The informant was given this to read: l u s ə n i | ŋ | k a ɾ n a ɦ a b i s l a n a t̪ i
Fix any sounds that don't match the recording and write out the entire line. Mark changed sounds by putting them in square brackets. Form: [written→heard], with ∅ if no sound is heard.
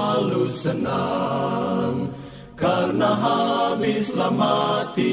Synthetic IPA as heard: l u s ə n [i→a] | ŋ | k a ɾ n a ɦ a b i s l a [n→m] a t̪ i